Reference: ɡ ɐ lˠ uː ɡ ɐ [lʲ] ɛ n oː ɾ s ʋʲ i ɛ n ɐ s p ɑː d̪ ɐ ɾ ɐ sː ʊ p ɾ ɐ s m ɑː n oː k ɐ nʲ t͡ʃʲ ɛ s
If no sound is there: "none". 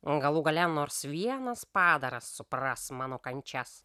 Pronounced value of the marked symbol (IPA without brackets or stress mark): lʲ